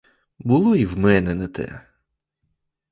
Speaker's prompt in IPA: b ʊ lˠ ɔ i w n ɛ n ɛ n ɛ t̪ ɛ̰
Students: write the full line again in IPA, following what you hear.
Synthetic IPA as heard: b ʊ lˠ ɔ i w m ɛ n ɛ n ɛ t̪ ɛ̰